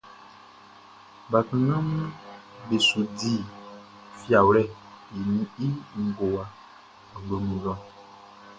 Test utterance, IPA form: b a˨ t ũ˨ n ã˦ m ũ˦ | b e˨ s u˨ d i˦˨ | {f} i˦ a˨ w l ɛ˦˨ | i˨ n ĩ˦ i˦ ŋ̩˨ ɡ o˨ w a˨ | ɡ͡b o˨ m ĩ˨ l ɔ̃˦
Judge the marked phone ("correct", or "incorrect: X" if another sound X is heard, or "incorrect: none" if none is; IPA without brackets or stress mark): correct